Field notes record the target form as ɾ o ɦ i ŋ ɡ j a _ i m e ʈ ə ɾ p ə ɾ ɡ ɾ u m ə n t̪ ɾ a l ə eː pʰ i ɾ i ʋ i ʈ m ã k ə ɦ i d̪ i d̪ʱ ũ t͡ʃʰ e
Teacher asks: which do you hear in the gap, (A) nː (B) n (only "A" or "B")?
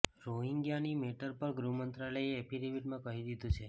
B